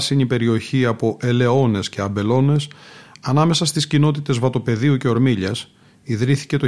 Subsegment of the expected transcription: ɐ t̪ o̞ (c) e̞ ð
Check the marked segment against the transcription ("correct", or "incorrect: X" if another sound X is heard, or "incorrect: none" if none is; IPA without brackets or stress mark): incorrect: p